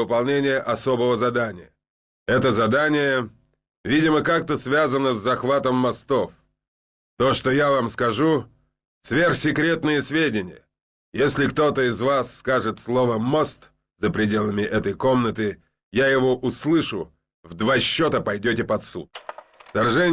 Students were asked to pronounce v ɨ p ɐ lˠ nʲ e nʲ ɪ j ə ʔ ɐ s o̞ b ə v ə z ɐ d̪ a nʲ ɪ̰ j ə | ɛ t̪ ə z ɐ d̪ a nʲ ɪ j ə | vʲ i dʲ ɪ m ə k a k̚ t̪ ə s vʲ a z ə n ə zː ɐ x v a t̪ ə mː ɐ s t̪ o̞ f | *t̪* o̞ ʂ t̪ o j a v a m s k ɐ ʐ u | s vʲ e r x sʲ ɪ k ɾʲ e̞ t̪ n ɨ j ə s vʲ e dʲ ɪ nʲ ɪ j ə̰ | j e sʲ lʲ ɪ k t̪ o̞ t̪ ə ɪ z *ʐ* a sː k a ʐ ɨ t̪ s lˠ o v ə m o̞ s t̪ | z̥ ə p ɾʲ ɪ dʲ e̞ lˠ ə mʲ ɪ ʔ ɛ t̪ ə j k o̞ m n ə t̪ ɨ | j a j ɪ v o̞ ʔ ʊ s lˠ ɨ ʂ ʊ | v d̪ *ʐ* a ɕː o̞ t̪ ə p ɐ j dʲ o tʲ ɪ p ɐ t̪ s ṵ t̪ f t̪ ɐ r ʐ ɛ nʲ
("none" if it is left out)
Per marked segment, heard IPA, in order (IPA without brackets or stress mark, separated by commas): t̪, v, v